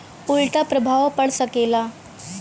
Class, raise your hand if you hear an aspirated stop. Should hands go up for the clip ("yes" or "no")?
no